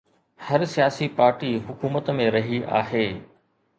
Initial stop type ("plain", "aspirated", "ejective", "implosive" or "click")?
plain